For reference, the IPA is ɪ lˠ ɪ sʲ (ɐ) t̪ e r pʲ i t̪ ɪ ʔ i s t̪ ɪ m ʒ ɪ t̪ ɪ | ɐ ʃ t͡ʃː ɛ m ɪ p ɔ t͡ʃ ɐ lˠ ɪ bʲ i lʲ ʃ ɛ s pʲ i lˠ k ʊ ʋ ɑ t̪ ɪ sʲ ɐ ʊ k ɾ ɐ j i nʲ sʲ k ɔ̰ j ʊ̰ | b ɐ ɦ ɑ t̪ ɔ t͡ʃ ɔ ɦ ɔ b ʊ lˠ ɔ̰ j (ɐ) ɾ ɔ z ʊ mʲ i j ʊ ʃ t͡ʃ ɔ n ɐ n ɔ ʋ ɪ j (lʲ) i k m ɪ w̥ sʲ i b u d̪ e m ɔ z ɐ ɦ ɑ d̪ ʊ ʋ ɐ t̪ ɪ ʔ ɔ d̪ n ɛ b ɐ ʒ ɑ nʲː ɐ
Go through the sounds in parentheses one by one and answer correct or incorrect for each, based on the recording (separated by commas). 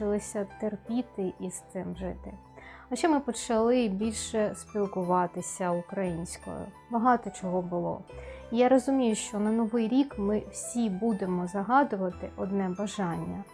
correct, incorrect, incorrect